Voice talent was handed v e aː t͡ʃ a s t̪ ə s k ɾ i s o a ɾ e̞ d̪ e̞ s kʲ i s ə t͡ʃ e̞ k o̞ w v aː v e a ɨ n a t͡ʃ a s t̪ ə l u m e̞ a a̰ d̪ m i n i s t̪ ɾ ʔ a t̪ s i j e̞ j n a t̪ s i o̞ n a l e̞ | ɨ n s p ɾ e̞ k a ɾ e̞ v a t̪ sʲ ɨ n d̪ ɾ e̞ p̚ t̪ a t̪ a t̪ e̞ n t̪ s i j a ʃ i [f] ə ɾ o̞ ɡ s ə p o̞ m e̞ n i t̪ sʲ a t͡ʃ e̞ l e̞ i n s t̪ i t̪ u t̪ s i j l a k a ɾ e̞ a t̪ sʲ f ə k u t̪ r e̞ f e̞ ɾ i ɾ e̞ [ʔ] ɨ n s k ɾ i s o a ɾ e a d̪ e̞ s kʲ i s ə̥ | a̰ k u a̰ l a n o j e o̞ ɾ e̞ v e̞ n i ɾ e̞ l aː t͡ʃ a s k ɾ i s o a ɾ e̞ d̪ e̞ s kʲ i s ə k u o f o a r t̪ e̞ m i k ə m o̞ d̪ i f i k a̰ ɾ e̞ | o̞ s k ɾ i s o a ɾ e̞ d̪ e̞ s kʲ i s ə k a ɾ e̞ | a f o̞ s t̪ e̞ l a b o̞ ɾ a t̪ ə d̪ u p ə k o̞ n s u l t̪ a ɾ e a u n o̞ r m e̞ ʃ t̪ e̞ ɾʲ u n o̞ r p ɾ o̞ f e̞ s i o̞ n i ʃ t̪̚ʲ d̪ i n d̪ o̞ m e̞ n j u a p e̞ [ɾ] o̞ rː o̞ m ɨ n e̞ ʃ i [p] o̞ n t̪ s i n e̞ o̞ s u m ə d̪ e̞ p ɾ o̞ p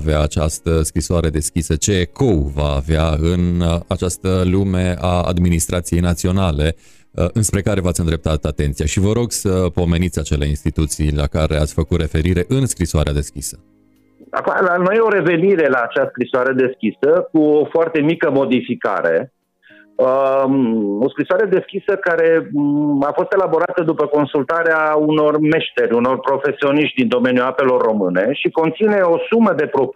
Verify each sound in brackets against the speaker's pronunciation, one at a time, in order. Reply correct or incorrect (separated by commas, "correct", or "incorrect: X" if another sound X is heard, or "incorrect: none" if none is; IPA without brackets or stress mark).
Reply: incorrect: v, correct, incorrect: l, incorrect: k